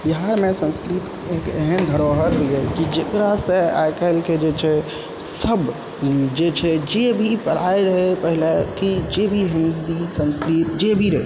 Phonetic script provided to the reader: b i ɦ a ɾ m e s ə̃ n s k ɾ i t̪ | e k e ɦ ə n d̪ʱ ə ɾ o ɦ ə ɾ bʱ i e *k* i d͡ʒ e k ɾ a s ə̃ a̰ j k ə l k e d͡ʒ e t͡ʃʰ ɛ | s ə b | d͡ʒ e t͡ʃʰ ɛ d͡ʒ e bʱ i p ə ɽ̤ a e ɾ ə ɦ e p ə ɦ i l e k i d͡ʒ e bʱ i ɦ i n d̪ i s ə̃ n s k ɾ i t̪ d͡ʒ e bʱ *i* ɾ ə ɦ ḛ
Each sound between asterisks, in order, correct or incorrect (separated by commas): correct, correct